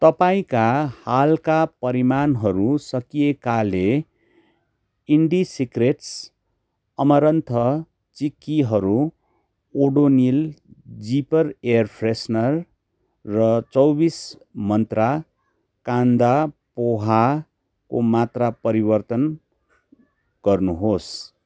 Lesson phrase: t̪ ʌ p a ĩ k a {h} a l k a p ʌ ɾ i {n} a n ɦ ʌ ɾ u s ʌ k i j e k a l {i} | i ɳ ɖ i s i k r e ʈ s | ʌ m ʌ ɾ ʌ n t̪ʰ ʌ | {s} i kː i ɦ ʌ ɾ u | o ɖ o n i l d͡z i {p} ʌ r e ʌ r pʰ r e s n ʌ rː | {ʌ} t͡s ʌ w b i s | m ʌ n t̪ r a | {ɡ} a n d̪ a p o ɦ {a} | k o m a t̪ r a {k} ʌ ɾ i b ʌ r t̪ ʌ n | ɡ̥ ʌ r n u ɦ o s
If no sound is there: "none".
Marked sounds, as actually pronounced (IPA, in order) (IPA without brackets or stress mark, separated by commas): h, m, e, t͡s, p, ʌ, k, a, p